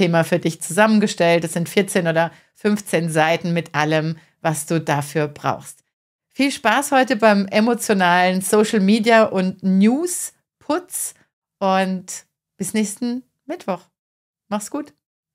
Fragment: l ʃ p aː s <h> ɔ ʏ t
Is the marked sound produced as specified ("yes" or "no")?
yes